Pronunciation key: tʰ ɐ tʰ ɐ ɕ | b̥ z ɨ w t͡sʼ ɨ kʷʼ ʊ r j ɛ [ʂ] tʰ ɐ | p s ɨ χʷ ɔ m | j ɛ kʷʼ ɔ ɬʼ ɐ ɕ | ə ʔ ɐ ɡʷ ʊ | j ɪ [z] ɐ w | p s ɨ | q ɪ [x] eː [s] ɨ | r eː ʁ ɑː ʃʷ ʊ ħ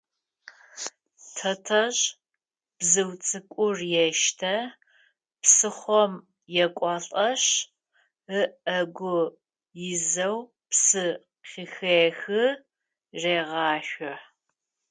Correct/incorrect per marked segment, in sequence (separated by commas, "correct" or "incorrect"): incorrect, correct, correct, incorrect